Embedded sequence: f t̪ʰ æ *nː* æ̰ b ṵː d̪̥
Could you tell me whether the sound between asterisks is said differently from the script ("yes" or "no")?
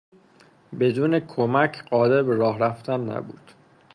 no